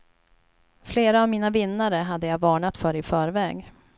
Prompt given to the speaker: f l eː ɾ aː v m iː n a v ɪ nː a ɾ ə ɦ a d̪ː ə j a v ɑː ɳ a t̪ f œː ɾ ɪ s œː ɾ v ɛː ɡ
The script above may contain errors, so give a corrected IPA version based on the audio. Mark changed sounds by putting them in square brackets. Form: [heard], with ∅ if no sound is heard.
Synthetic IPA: f l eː ɾ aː v m iː n a v ɪ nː a ɾ ə ɦ a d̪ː ə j a v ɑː ɳ a t̪ f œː ɾ ɪ [f] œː ɾ v ɛː ɡ